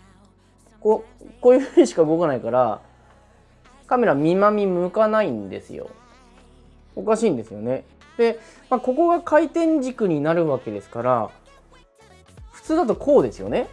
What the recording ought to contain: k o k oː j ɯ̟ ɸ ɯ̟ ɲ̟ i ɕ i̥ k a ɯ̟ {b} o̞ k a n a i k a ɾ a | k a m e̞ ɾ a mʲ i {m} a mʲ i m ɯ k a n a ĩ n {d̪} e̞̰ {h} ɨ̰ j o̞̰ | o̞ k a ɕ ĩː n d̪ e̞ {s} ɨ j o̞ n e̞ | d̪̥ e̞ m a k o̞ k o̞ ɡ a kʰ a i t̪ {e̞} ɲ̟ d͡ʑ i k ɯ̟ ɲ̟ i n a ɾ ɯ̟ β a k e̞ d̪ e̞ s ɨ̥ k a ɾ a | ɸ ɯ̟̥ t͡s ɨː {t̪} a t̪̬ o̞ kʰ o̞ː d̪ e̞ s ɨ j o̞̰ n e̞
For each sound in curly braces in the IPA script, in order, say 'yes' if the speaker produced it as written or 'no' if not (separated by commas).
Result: no, yes, yes, no, yes, no, no